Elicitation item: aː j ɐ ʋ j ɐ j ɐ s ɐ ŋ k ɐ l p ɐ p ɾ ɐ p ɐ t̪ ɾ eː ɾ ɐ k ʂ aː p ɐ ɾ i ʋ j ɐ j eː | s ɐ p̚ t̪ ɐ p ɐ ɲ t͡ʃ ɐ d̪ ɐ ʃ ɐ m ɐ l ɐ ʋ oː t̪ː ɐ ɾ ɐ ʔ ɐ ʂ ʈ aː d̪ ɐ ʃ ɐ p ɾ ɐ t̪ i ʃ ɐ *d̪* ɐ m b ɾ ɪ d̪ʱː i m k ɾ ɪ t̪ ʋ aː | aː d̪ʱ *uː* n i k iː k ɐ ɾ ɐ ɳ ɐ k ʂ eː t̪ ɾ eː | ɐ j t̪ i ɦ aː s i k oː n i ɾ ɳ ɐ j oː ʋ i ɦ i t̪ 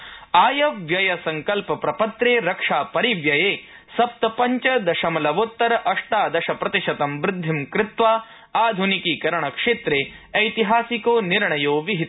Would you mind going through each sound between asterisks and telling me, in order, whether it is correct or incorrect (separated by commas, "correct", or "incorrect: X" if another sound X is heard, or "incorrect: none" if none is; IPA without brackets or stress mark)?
incorrect: t̪, incorrect: u